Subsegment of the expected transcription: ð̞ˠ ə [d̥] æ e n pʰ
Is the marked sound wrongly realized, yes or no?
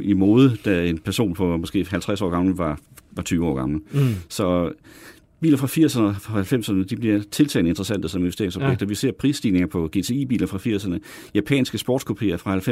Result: no